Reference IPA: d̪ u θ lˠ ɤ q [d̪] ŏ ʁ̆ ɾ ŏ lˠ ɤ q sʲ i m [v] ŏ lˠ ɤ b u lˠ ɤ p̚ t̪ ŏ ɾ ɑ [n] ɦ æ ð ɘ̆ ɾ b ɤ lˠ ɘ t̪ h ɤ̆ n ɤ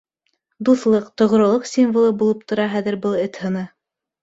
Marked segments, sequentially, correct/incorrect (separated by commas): incorrect, correct, incorrect